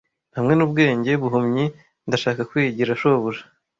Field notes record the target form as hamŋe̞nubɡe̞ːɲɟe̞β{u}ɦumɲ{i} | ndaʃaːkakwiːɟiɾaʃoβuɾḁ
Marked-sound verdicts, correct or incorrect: correct, correct

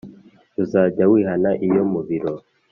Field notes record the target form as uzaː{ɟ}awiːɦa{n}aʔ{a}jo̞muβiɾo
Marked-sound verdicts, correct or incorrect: correct, correct, incorrect

